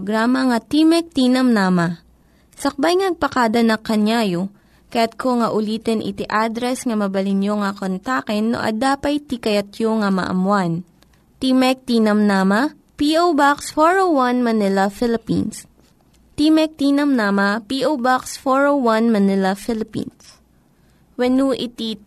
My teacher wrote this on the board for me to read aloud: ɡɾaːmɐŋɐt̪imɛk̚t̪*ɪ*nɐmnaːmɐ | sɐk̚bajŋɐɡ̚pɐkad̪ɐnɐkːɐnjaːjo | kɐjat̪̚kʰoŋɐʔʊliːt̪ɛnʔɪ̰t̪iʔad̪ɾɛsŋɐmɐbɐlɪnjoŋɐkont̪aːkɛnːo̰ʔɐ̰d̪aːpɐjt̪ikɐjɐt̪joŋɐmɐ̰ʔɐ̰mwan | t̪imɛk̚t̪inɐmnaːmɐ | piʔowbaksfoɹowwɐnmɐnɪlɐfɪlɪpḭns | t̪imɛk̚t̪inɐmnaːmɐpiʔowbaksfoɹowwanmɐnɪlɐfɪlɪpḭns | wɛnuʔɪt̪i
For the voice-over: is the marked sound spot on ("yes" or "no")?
no